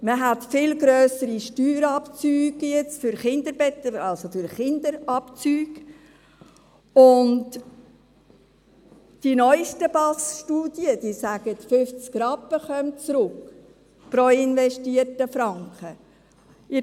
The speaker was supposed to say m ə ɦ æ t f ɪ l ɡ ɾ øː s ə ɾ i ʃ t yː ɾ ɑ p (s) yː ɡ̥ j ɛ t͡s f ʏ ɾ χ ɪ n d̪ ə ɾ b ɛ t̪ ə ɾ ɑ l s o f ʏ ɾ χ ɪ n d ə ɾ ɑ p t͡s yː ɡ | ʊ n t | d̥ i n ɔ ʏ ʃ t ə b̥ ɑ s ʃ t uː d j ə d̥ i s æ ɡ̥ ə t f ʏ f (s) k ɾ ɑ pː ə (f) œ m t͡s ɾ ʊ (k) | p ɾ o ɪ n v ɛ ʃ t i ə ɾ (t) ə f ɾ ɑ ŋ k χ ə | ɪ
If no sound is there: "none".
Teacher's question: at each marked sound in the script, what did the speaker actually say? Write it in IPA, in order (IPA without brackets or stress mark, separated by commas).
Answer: t͡s, t͡s, χ, k, t